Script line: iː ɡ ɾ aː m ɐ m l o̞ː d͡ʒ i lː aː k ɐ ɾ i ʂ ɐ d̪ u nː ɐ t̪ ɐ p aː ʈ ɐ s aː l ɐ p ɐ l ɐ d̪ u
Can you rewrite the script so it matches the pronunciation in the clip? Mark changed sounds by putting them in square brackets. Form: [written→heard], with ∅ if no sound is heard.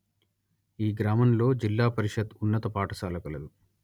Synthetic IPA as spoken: iː ɡ ɾ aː m ɐ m l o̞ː d͡ʒ i lː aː [k→p] ɐ ɾ i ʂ ɐ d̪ u nː ɐ t̪ ɐ p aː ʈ ɐ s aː l ɐ [p→k] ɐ l ɐ d̪ u